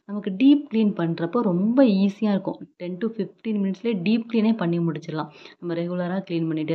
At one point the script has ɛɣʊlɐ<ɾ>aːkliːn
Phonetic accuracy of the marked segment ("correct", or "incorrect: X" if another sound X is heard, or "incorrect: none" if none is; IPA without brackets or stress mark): correct